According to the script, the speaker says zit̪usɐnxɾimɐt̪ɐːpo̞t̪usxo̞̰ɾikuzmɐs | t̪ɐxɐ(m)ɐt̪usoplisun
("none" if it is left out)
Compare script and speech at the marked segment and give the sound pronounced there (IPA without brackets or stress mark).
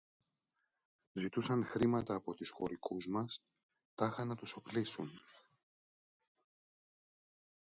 n